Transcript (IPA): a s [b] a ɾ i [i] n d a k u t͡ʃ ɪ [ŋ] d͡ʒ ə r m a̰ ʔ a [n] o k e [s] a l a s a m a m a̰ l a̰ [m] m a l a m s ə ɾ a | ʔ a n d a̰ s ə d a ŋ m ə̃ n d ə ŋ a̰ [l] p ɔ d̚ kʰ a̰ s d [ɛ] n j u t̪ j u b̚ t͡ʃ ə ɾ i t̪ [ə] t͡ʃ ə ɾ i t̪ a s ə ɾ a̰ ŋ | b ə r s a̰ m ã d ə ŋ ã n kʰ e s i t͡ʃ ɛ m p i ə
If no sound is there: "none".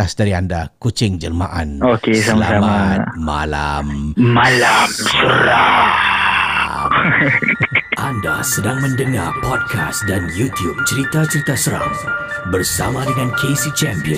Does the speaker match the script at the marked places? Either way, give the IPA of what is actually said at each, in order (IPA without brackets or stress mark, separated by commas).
d, a, ŋ, n, s, m, r, a, a